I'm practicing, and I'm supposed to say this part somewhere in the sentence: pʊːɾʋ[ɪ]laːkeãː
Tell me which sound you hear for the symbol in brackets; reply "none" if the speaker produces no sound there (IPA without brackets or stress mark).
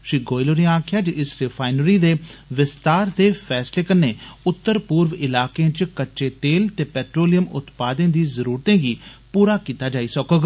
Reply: ɪ